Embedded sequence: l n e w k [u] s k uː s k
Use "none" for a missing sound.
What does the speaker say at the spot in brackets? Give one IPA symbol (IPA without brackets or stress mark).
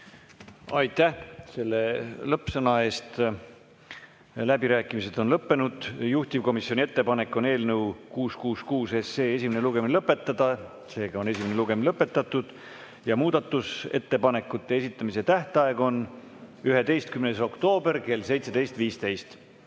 uː